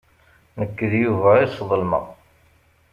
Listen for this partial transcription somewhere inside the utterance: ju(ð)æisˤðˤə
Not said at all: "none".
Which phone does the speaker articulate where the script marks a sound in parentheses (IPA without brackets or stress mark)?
v